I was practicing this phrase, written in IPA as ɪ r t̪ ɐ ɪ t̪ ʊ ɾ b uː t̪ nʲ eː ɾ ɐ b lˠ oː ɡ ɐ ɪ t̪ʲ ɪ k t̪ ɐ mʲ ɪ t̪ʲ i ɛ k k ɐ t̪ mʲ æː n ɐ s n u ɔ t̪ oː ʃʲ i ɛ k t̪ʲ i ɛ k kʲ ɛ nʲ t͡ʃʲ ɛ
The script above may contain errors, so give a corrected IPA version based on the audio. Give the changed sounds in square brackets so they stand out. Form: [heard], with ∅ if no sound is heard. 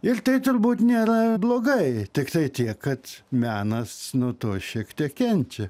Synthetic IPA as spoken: ɪ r t̪ ɐ ɪ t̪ ʊ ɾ b uː t̪ nʲ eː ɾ ɐ b lˠ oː ɡ ɐ ɪ t̪ʲ ɪ k t̪ ɐ [∅] ɪ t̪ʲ i ɛ k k ɐ t̪ mʲ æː n ɐ s n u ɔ t̪ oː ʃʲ i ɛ k t̪ʲ i ɛ k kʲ ɛ nʲ t͡ʃʲ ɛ